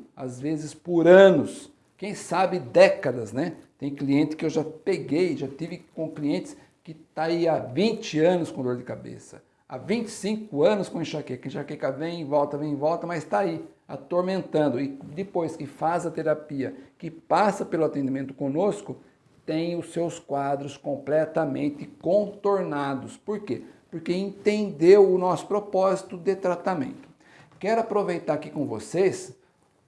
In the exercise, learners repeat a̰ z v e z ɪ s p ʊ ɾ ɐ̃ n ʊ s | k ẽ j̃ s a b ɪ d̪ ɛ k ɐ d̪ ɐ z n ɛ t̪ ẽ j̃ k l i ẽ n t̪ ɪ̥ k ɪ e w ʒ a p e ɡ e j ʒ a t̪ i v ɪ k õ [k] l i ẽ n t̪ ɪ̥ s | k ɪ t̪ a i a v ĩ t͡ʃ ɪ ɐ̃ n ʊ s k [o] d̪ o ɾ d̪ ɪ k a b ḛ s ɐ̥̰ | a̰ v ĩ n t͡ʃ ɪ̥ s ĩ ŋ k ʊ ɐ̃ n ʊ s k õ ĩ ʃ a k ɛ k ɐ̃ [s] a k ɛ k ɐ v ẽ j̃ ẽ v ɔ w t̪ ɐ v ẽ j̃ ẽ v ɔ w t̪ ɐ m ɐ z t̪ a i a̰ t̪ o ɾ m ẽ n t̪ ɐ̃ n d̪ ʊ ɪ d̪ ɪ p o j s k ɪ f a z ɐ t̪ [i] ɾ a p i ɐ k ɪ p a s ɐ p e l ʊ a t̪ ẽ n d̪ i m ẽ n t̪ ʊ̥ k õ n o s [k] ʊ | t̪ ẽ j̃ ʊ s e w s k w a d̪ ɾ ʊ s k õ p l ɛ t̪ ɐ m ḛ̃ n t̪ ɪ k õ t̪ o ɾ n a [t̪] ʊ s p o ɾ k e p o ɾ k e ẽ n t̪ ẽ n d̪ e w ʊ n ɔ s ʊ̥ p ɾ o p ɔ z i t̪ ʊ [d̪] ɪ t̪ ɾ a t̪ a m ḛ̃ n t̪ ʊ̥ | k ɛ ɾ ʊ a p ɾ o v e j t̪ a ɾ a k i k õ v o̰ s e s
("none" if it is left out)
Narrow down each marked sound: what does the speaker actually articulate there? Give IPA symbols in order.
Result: k, õ, ʃ, e, k, d̪, d̪

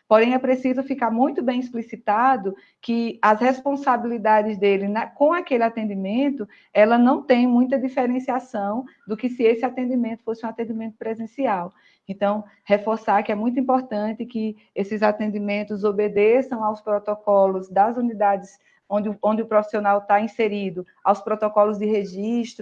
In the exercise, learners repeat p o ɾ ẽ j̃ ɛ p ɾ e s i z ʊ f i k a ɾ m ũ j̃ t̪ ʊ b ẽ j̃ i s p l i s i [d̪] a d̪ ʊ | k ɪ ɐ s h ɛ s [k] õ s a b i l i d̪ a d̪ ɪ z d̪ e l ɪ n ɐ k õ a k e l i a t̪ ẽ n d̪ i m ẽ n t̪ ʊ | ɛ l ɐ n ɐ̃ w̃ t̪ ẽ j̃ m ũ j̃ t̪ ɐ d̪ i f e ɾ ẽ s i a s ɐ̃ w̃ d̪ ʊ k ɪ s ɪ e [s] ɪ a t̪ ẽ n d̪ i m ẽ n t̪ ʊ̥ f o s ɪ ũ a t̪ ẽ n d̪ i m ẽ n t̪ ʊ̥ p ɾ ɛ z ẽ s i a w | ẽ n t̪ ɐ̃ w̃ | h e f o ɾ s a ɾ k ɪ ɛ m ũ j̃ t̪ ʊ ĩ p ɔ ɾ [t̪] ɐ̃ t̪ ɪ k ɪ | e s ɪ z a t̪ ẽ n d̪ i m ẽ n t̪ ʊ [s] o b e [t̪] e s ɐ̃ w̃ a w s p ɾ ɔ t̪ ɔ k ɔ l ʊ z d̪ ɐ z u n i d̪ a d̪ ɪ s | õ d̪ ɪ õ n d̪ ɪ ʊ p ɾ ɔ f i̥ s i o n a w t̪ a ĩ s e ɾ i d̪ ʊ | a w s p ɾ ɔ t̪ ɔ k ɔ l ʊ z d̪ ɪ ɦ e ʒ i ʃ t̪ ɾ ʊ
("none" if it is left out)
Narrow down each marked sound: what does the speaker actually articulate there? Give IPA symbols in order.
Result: t̪, p, s, t̪, z, d̪

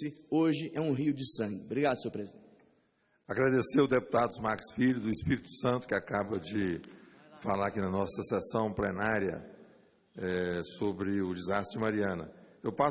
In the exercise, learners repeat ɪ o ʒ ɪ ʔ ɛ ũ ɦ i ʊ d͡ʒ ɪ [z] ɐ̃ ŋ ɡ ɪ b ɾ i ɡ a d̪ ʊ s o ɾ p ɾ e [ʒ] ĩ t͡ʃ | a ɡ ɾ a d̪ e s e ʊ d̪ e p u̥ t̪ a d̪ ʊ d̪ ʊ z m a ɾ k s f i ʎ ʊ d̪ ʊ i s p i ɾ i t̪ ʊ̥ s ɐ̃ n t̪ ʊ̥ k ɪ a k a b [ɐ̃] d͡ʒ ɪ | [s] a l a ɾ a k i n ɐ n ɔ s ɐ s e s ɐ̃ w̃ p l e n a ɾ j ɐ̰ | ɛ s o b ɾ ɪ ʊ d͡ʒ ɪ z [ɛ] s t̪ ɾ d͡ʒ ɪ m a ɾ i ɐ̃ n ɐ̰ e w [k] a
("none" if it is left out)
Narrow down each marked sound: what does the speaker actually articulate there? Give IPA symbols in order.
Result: s, z, ɐ, f, a, p

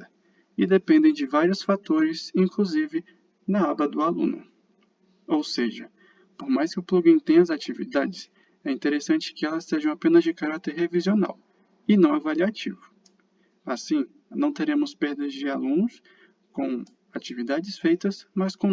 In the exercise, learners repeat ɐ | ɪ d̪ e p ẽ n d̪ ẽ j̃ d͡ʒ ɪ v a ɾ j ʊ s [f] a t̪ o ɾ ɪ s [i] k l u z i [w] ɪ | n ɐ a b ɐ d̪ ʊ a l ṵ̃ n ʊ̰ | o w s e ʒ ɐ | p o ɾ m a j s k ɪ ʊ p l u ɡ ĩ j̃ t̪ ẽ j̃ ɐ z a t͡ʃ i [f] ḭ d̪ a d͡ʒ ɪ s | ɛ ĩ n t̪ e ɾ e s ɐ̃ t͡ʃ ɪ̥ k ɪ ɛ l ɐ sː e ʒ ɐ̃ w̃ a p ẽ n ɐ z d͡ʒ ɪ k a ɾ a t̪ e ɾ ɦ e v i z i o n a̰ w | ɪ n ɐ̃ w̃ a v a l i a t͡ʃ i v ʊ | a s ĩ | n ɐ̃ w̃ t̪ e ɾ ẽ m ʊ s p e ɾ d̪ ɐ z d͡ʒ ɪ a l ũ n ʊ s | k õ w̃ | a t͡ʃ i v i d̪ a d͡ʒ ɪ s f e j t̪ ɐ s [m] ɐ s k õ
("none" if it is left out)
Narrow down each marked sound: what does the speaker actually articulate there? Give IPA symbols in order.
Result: f, ĩ, v, v, m

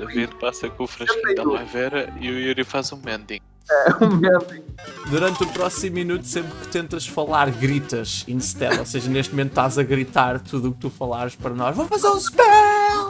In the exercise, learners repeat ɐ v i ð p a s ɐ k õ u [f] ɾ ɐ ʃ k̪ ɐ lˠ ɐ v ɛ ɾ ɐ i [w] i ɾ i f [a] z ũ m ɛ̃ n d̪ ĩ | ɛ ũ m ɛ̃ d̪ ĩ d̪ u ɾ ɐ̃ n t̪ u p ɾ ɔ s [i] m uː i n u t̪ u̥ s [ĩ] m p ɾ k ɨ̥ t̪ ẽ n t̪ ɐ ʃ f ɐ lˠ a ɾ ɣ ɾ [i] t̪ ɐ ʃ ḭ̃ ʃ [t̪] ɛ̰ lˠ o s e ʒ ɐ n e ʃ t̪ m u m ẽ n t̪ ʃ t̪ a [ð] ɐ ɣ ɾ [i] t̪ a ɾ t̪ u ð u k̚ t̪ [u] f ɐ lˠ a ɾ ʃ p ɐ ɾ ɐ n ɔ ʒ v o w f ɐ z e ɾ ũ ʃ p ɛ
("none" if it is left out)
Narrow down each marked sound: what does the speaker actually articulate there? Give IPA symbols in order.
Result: f, u, a, i, ẽ, i, t̪, z, i, u

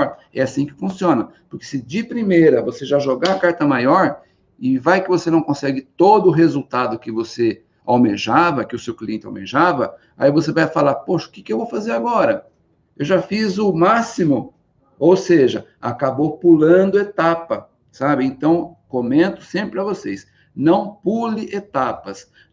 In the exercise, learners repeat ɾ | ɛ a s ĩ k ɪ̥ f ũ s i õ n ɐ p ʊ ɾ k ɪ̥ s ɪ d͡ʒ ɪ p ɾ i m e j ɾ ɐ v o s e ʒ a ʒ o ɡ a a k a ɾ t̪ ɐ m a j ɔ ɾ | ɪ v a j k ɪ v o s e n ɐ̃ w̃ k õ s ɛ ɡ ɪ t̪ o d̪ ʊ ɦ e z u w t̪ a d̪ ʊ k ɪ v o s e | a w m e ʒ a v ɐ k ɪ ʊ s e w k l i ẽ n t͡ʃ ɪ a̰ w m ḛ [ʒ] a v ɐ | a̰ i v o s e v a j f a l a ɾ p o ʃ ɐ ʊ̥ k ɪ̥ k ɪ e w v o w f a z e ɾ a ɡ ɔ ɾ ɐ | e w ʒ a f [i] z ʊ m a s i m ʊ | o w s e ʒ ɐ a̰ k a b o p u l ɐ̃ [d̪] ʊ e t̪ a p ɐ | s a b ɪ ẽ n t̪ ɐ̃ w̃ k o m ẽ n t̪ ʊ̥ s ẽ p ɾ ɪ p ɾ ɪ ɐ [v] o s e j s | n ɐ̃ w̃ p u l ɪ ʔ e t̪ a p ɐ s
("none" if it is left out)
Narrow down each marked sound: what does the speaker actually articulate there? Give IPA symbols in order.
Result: ʒ, i, d̪, v

